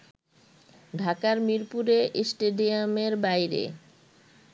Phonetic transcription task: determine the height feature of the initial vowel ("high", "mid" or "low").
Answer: low